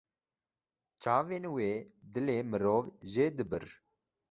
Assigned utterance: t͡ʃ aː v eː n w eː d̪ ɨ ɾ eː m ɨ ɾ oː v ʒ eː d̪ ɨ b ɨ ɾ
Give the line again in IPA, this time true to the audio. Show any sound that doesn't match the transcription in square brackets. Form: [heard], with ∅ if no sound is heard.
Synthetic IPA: t͡ʃ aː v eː n w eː d̪ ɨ [l] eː m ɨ ɾ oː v ʒ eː d̪ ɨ b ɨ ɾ

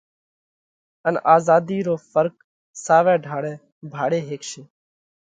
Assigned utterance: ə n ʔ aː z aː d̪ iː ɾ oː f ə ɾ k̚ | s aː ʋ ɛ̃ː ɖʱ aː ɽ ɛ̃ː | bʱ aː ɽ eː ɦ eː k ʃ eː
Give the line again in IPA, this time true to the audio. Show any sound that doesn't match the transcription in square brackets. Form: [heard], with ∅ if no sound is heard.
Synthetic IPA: ə n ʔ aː z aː d̪ iː ɾ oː f ə ɾ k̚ | s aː ʋ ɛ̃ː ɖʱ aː ɽ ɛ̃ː | bʱ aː ɽ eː ɦ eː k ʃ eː

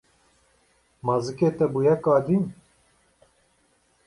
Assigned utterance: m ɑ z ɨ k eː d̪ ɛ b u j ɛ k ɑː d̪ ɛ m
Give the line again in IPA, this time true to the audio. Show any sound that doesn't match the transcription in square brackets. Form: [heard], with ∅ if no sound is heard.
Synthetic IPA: m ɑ z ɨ k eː [t̪] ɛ b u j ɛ k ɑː d̪ [i] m

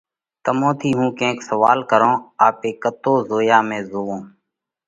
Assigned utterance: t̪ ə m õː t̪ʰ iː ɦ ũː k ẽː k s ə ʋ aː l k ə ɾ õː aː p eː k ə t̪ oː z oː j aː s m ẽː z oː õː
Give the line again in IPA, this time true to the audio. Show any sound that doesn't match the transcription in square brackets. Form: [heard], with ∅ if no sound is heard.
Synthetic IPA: t̪ ə m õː t̪ʰ iː ɦ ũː k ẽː k s ə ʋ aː l k ə ɾ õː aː p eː k ə t̪ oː z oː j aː [∅] m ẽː z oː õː

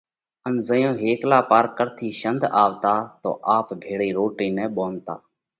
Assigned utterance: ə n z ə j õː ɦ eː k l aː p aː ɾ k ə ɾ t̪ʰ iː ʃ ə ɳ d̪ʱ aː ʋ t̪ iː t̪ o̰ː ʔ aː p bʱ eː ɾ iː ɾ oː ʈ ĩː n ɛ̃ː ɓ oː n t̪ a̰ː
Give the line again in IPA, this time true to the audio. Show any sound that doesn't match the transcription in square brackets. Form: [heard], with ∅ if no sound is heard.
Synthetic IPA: ə n z ə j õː ɦ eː k l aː p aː ɾ k ə ɾ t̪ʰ iː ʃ ə [n] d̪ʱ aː ʋ t̪ [aː] t̪ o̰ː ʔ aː p bʱ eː [ɽ] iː ɾ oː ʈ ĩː n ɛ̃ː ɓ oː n t̪ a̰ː

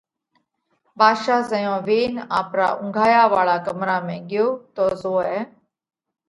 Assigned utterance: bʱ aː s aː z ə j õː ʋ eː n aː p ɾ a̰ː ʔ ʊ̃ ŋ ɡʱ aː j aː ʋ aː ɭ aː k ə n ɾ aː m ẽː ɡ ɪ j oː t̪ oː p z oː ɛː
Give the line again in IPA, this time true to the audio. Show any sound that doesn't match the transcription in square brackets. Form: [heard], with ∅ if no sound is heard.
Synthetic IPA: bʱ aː [ʃ] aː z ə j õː ʋ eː n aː p ɾ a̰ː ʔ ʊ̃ ŋ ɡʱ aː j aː ʋ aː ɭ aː k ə [m] ɾ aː m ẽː ɡ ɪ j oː t̪ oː [∅] z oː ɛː

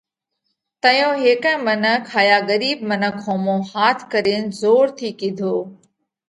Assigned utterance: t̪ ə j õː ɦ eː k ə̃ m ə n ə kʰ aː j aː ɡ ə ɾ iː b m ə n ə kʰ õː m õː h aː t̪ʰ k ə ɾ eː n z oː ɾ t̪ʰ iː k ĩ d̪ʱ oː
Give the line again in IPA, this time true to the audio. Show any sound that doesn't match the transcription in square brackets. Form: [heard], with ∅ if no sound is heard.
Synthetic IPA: t̪ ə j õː ɦ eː k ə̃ m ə n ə kʰ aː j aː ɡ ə ɾ iː b m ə n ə kʰ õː m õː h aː t̪ʰ k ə ɾ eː n z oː ɾ t̪ʰ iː k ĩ d̪ʱ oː

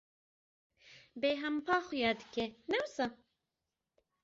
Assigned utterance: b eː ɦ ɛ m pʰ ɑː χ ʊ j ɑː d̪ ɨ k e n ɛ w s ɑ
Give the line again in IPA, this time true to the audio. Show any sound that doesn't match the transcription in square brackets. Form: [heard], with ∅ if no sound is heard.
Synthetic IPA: b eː ɦ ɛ m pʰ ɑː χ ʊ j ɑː d̪ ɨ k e n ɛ w s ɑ

